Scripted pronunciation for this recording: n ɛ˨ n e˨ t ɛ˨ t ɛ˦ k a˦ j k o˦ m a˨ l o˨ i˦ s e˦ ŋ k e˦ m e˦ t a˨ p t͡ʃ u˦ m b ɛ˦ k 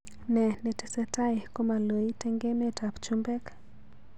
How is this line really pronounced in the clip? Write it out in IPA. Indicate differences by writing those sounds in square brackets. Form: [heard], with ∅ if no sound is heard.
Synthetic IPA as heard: n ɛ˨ n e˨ t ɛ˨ [s] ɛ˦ [t] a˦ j k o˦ m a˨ l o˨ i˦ [t] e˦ ŋ [ɡ] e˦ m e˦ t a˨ p t͡ʃ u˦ m b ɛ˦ k